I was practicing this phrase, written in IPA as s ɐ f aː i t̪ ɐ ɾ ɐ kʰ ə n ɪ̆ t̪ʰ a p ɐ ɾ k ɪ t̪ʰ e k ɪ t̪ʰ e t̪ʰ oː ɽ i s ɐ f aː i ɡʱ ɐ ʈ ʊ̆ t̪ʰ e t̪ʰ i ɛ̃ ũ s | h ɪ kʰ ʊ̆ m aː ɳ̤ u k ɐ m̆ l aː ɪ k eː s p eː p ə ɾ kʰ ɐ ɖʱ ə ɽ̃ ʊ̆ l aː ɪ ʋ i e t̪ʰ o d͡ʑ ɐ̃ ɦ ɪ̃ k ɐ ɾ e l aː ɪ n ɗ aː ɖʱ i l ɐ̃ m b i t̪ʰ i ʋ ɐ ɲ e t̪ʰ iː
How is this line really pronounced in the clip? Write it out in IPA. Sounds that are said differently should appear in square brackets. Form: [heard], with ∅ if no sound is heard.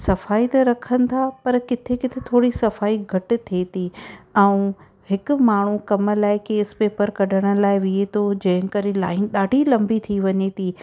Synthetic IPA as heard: s ɐ f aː i t̪ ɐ ɾ ɐ kʰ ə n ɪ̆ t̪ʰ a p ɐ ɾ k ɪ t̪ʰ e k ɪ t̪ʰ e t̪ʰ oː ɽ i s ɐ f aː i ɡʱ ɐ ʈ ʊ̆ t̪ʰ e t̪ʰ i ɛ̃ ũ [∅] | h ɪ [k] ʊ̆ m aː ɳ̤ u k ɐ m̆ l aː ɪ k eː s p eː p ə ɾ [k] ɐ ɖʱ ə ɽ̃ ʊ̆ l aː ɪ ʋ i e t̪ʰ o d͡ʑ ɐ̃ ɦ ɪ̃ k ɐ ɾ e l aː ɪ n ɗ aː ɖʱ i l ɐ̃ m b i t̪ʰ i ʋ ɐ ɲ e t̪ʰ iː